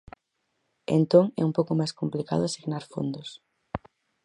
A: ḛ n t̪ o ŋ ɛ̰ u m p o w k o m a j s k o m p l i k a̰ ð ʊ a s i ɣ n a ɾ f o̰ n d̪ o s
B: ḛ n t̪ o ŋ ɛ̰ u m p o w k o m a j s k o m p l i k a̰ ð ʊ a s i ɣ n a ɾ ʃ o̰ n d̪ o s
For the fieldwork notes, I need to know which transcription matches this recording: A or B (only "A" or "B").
A